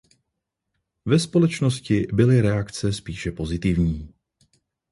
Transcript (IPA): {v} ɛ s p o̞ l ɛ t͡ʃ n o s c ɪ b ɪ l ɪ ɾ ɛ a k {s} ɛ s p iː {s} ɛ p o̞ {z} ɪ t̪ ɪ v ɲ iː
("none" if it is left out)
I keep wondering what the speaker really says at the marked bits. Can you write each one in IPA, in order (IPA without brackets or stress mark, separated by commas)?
v, t͡s, ʃ, z